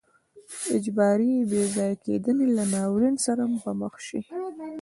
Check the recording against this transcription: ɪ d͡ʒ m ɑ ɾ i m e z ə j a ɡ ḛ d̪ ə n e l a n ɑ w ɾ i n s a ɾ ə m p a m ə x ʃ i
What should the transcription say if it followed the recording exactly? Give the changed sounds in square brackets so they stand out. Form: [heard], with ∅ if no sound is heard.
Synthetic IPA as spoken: ɪ d͡ʒ [b] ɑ ɾ i [b] e z [ɑ] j a [k] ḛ d̪ ə n e l a n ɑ w ɾ i n s a ɾ [a] m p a m ə x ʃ i